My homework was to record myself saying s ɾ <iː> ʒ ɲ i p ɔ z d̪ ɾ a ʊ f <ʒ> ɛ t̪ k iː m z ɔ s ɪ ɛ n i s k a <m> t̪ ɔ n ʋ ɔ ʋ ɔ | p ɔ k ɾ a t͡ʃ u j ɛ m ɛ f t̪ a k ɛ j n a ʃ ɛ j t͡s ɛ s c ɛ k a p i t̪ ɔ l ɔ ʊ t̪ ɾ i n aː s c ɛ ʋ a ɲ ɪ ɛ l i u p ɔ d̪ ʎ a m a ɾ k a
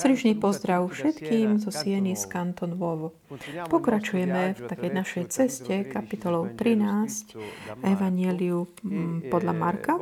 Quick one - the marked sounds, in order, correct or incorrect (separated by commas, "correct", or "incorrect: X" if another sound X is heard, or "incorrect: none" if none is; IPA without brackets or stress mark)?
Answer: incorrect: i, incorrect: ʃ, incorrect: n